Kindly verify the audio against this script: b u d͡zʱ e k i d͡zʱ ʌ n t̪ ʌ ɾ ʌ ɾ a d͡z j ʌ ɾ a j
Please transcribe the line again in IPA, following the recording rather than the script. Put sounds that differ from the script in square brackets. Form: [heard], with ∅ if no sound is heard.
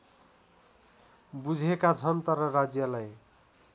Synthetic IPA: b u d͡zʱ e k [a] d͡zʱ ʌ n t̪ ʌ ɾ ʌ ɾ a d͡z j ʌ [l] a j